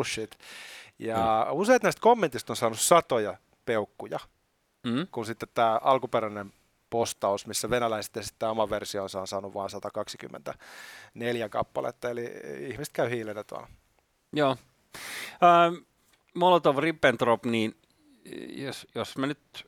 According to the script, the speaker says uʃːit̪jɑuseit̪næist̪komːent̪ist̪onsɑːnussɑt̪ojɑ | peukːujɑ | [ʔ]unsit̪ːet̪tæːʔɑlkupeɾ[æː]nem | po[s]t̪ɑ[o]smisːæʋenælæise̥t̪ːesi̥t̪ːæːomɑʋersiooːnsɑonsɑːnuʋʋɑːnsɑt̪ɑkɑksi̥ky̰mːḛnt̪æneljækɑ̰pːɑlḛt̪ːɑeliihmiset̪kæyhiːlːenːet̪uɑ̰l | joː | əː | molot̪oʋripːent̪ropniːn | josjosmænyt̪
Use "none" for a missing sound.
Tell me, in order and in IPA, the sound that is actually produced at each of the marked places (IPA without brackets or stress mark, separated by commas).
k, æ, s, u